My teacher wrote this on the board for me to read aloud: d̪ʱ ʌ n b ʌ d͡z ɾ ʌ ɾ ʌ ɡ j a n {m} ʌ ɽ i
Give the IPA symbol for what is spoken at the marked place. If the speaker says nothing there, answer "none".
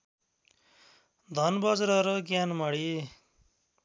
m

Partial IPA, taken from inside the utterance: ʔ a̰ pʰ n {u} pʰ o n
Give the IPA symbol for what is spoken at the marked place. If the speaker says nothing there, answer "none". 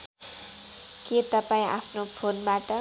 o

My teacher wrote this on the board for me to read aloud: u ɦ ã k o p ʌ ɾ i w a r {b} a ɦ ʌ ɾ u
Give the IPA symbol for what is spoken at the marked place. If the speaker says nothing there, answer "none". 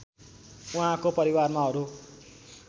m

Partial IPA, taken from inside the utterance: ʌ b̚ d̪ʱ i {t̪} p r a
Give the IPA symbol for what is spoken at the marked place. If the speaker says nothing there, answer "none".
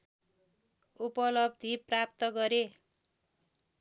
none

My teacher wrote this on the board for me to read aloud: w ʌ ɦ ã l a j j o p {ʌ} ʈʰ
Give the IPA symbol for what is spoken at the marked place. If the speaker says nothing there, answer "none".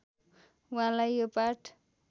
a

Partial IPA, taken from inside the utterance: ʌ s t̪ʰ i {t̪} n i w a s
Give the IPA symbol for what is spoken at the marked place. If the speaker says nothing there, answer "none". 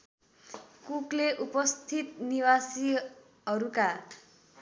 t̪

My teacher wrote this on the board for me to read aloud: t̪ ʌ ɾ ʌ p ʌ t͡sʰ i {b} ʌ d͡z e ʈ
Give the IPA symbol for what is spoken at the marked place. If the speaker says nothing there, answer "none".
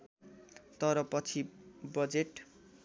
b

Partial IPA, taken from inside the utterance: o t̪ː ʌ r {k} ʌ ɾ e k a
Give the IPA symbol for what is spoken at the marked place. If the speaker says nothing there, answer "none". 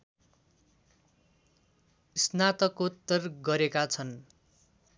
ɡ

